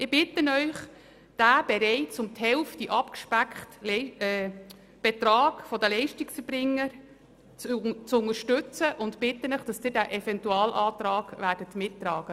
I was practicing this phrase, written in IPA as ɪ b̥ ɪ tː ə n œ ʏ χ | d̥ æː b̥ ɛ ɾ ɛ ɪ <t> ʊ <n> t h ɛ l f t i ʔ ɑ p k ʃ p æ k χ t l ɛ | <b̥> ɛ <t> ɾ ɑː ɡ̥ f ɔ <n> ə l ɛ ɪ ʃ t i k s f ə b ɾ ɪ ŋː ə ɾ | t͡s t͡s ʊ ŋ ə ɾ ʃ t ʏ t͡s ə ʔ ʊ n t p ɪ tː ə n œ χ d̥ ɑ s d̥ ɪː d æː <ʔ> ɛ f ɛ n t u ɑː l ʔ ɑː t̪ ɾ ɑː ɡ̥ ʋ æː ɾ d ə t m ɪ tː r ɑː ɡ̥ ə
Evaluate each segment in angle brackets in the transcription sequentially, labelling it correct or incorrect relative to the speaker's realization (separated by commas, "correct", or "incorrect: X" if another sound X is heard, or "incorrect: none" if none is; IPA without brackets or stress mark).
incorrect: t͡s, incorrect: m, correct, correct, incorrect: d, correct